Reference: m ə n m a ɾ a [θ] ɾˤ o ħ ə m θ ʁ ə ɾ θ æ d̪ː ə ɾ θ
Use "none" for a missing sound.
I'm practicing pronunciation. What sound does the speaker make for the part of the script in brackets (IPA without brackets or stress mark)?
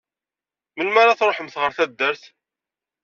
θ